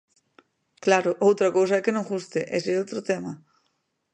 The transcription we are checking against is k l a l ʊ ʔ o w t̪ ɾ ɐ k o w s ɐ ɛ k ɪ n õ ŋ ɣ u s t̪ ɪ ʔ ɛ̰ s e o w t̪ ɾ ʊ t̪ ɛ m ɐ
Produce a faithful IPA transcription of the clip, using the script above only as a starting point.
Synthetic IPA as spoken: k l a ɾ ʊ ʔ o w t̪ ɾ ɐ k o w s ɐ ɛ k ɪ n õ ŋ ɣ u s t̪ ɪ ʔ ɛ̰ s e o w t̪ ɾ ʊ t̪ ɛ m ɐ

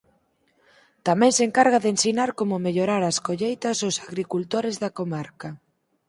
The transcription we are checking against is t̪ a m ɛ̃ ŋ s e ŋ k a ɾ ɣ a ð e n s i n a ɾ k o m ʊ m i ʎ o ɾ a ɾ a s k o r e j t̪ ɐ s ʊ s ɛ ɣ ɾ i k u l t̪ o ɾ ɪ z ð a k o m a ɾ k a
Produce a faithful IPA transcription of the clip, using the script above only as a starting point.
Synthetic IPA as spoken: t̪ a m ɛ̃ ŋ s e ŋ k a ɾ ɣ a ð e n s i n a ɾ k o m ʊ m e ʎ o ɾ a ɾ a s k o ʎ e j t̪ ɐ s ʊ s a ɣ ɾ i k u l t̪ o ɾ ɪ z ð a k o m a ɾ k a

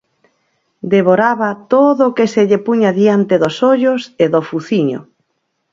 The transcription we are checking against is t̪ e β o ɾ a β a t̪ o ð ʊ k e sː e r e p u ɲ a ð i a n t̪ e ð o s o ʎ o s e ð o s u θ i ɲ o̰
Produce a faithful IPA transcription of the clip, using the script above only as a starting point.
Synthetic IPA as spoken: d̪ e β o ɾ a β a t̪ o ð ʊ k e s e ʎ e p u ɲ a ð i a n t̪ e ð o s o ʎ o s e ð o f u θ i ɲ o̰

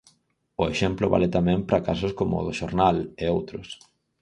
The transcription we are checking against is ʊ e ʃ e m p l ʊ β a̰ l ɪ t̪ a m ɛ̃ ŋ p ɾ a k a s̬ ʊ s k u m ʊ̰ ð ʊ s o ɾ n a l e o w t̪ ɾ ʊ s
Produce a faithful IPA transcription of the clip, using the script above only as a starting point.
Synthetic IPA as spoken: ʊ e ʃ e m p l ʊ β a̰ l ɪ t̪ a m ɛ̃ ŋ p ɾ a k a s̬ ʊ s k o m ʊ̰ ð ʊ ʃ o ɾ n a l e o w t̪ ɾ ʊ s

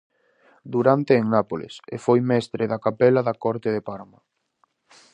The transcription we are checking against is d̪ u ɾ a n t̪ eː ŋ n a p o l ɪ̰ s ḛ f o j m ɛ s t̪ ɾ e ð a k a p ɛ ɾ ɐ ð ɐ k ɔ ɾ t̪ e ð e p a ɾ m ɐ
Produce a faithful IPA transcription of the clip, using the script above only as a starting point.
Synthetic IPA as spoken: d̪ u ɾ a n t̪ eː ŋ n a p o l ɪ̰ s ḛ f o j m ɛ s t̪ ɾ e ð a k a p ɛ l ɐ ð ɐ k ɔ ɾ t̪ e ð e p a ɾ m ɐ

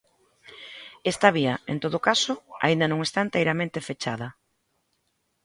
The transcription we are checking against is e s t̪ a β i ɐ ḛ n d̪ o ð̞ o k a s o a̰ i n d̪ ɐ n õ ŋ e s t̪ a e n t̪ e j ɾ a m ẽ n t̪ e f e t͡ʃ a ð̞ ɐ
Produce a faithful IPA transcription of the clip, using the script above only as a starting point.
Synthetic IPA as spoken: e s t̪ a β i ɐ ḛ n t̪ o ð̞ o k a s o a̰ i n d̪ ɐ n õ ŋ e s t̪ a e n t̪ e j ɾ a m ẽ n t̪ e f e t͡ʃ a ð̞ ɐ

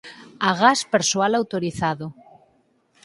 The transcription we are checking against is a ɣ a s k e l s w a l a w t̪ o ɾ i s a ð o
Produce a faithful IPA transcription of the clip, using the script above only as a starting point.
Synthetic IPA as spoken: a ɣ a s p e ɾ s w a l a w t̪ o ɾ i θ a ð o

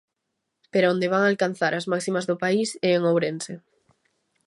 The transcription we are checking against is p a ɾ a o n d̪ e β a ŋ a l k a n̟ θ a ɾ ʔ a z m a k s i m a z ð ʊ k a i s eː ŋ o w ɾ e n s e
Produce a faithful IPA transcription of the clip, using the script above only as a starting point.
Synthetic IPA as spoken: p e ɾ a o n d̪ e β a ŋ a l k a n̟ θ a ɾ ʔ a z m a k s i m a z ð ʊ p a i s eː ŋ o w ɾ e n s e

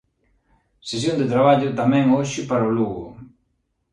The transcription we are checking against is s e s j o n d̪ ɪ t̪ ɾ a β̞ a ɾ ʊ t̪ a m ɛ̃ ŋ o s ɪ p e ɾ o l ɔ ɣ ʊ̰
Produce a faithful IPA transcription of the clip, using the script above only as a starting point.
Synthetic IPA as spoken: s e s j o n d̪ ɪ t̪ ɾ a β̞ a ʎ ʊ t̪ a m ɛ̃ ŋ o ʃ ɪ p a ɾ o l u ɣ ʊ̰

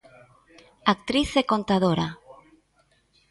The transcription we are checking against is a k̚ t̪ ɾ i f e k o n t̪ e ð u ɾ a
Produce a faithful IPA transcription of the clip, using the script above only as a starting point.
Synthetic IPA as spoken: a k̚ t̪ ɾ i θ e k o n t̪ a ð o ɾ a

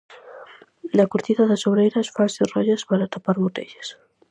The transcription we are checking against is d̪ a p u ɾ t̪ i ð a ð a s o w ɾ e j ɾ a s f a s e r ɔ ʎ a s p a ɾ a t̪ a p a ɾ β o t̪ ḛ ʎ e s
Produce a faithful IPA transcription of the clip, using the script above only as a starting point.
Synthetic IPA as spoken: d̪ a k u ɾ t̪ i ð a ð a s o β ɾ e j ɾ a s f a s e r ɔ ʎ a s p a ɾ a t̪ a p a ɾ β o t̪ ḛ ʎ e s

